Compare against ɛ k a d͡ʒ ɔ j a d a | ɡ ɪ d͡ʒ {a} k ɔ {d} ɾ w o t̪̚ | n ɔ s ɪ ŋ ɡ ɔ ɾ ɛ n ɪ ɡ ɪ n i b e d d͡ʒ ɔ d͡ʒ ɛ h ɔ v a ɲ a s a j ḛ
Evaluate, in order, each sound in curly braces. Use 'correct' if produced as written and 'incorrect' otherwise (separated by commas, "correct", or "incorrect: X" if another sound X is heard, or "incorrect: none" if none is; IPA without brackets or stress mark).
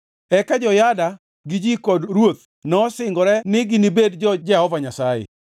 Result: incorrect: i, correct